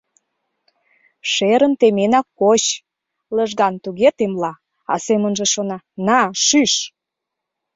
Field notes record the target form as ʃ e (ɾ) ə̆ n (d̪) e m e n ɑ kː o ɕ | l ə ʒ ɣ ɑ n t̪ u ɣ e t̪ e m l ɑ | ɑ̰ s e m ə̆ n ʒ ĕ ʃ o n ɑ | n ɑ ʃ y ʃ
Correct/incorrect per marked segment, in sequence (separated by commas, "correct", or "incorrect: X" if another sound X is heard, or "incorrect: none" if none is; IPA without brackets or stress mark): correct, incorrect: t̪